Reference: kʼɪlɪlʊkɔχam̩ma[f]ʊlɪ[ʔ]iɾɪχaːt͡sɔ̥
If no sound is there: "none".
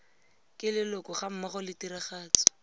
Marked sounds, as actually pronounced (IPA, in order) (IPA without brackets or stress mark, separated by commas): χ, t